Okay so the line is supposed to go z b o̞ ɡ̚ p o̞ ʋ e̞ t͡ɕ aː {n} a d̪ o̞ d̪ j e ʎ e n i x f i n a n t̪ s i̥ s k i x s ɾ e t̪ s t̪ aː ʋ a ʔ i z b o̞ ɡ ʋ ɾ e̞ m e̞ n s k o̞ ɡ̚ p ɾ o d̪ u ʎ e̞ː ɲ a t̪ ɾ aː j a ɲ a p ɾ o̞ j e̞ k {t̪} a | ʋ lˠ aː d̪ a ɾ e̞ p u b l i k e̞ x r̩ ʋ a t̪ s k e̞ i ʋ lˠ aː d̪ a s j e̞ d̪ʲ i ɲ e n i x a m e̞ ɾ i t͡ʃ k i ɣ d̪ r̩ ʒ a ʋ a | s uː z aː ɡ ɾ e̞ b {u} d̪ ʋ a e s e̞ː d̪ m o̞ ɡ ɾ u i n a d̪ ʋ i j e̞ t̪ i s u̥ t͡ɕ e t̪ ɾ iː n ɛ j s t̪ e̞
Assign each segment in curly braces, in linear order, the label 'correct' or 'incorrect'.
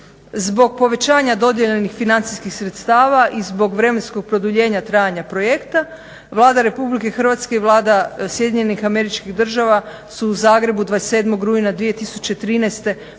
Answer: incorrect: ɲ, correct, correct

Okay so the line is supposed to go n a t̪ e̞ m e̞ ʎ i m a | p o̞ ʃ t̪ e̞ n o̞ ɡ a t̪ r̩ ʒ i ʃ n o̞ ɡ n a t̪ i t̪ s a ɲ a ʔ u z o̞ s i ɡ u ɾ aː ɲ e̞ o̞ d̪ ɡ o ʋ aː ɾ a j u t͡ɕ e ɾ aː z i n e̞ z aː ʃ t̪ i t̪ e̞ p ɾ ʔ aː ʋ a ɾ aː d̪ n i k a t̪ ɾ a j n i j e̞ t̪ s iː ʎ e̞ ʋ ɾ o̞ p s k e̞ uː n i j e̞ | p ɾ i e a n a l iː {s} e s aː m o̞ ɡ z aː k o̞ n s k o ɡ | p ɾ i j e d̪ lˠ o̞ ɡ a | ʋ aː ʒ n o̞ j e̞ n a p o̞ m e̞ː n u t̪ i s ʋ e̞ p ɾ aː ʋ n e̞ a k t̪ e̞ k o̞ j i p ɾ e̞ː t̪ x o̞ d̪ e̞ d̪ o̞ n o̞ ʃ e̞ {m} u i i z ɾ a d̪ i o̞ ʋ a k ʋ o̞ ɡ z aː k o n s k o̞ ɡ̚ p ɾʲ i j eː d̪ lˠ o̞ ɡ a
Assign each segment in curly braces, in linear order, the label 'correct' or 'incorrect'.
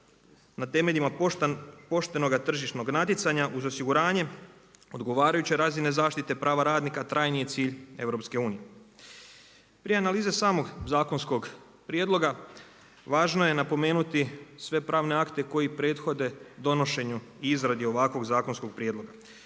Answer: incorrect: z, incorrect: ɲ

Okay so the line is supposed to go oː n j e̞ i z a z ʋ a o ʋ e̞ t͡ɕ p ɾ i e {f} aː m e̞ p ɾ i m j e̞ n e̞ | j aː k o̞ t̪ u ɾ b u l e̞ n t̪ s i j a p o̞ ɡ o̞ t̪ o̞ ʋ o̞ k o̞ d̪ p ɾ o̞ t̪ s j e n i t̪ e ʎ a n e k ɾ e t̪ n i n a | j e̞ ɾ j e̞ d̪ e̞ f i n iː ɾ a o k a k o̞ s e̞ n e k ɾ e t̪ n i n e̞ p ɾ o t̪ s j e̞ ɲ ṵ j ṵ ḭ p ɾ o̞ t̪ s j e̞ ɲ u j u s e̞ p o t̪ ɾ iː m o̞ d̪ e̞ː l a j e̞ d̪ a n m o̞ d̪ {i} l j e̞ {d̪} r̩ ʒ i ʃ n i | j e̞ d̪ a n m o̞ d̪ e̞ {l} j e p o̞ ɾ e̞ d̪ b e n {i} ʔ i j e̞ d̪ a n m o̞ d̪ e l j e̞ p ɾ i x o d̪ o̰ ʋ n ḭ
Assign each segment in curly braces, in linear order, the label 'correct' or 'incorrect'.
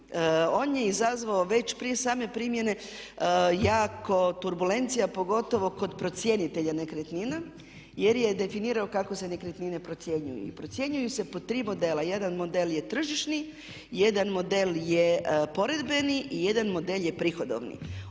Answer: incorrect: s, incorrect: e, incorrect: t̪, correct, correct

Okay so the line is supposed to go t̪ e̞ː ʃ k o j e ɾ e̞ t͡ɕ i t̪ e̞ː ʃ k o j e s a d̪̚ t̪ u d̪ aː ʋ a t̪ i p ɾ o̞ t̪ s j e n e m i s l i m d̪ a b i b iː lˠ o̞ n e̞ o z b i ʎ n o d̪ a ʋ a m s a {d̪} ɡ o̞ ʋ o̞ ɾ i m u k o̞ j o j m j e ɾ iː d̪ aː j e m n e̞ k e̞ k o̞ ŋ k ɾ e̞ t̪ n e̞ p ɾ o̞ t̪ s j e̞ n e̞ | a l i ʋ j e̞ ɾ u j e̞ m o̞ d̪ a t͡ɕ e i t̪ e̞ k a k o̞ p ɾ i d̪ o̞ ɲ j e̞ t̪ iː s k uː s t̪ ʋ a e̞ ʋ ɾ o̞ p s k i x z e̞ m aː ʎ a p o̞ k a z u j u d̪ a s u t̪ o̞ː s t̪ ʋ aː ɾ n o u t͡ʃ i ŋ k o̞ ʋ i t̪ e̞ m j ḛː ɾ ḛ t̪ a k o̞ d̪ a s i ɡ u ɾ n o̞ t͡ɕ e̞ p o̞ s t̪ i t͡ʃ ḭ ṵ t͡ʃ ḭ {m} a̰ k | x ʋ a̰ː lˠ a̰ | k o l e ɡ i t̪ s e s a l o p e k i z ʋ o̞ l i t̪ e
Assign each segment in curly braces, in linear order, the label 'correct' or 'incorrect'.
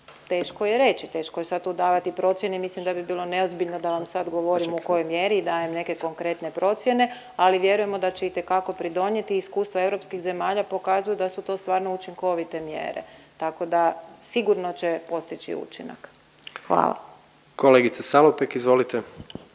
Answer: correct, incorrect: n

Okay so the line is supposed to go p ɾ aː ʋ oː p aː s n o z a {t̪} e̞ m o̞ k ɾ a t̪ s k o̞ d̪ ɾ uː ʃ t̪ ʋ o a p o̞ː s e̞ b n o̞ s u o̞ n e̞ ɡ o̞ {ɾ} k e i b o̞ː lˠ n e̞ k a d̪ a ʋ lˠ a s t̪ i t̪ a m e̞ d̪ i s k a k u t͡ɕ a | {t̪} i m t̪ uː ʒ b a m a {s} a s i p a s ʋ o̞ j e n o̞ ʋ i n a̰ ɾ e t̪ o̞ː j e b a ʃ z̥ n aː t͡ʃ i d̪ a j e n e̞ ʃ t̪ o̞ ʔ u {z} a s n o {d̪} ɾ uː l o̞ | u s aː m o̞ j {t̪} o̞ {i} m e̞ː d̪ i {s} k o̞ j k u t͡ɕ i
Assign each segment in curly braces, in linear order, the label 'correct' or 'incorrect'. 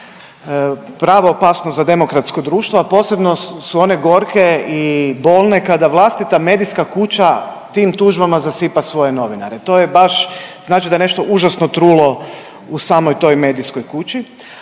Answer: incorrect: d̪, correct, correct, incorrect: z, incorrect: ʒ, incorrect: t̪, correct, incorrect: j, correct

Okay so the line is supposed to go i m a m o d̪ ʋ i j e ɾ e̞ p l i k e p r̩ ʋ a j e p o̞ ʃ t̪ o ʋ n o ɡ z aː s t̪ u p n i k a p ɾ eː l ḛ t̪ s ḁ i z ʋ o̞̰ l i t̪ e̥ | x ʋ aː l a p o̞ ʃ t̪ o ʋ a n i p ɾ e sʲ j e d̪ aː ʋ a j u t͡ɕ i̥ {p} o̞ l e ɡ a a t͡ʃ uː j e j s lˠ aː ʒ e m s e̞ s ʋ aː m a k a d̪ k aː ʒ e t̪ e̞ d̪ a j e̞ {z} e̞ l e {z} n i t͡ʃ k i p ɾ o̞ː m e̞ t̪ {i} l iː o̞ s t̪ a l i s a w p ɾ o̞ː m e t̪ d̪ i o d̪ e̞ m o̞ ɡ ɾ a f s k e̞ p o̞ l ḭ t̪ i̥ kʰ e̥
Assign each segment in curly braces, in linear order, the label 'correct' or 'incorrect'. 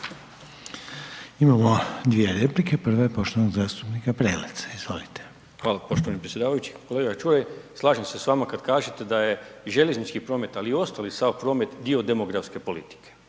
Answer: incorrect: k, incorrect: ʒ, correct, incorrect: a

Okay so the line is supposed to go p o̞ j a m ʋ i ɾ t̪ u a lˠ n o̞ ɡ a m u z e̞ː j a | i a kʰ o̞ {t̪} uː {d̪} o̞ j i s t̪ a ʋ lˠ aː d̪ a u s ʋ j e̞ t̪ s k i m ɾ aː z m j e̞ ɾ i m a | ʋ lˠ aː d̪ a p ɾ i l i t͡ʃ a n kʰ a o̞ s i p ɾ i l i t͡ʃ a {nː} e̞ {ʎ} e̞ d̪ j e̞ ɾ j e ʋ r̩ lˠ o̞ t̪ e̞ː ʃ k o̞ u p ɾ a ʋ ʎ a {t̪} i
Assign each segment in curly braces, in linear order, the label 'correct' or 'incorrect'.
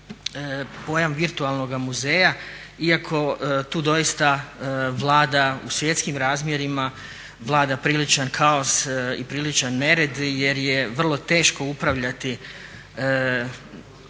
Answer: correct, correct, correct, incorrect: ɾ, correct

